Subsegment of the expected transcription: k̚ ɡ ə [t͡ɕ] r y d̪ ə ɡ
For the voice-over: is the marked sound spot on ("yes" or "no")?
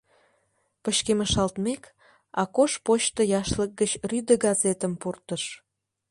yes